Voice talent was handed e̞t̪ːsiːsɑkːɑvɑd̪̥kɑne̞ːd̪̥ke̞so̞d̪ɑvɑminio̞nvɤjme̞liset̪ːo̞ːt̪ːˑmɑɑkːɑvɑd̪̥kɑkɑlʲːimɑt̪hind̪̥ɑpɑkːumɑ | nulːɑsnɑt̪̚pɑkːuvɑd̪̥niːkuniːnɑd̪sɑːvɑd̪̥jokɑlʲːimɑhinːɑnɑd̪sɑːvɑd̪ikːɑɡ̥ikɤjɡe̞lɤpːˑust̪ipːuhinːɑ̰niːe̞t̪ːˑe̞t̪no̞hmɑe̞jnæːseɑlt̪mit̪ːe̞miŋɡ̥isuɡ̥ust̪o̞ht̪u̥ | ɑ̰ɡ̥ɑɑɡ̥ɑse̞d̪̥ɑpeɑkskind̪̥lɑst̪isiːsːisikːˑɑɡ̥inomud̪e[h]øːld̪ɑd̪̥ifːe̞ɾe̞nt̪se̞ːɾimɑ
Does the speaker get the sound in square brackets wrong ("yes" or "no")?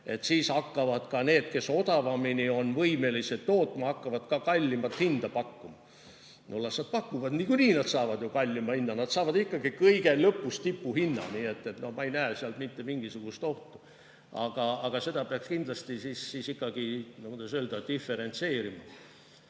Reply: yes